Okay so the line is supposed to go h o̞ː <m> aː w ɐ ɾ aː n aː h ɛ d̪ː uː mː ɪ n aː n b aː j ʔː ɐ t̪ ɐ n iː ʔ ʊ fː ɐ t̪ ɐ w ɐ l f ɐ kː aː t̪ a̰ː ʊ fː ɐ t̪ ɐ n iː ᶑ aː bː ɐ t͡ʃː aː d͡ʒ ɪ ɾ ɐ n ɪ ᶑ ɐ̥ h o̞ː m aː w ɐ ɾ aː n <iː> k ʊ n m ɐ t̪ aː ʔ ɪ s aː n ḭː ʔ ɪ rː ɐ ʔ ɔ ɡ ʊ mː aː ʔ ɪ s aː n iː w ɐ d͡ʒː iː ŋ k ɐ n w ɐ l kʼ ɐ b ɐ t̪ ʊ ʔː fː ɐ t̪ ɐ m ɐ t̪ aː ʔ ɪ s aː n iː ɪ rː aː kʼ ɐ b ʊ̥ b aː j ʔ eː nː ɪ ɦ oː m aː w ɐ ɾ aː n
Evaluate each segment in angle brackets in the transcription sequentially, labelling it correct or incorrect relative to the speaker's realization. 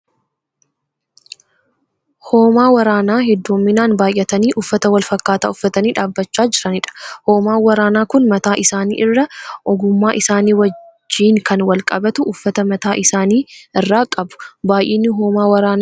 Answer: correct, incorrect: aː

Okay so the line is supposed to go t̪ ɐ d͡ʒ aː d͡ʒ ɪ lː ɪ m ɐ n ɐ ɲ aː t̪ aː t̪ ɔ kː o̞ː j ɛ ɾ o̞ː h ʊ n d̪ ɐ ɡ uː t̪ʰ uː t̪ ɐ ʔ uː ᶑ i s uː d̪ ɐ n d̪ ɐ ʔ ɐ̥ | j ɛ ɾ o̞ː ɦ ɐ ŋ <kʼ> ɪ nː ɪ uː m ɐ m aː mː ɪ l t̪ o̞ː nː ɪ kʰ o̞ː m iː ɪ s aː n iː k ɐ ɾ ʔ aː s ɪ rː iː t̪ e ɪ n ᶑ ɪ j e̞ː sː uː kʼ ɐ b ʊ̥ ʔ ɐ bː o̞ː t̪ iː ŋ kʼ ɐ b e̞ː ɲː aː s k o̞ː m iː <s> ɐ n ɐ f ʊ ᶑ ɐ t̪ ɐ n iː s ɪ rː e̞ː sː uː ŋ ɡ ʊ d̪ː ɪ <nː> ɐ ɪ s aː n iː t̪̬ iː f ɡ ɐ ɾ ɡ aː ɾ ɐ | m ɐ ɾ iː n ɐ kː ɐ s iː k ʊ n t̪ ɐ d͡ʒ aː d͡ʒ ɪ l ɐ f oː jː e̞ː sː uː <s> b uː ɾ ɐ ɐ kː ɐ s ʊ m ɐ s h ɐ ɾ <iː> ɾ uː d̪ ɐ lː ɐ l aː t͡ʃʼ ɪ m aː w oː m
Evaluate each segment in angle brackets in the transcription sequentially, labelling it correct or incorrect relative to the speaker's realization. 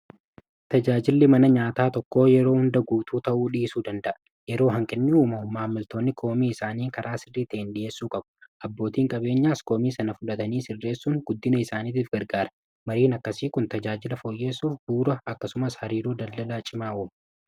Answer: correct, correct, incorrect: n, incorrect: f, correct

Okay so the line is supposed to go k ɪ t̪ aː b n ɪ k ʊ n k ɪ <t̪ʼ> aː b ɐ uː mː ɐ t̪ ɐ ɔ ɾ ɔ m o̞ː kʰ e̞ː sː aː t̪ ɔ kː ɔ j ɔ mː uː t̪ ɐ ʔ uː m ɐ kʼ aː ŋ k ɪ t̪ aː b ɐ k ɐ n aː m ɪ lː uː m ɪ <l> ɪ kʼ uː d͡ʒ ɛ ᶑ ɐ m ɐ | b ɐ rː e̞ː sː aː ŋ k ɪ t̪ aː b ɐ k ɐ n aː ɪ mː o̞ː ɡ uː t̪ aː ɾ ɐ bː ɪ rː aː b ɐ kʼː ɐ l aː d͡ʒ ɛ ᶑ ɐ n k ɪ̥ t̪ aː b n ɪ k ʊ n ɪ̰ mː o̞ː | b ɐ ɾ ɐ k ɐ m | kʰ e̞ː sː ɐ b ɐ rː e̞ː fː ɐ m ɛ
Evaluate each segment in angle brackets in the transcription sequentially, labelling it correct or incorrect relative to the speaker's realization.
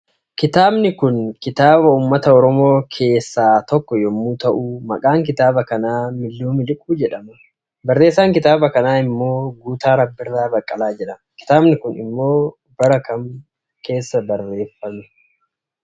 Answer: incorrect: t̪, correct

